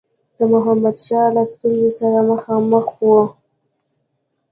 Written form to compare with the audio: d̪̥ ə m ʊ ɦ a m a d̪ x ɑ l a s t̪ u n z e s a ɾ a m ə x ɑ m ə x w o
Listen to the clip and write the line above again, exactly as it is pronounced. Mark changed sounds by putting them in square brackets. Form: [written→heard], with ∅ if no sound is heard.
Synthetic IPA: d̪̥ ə m ʊ ɦ a m a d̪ [x→ʃ] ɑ l a s t̪ u n z e s a ɾ a m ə x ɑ m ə x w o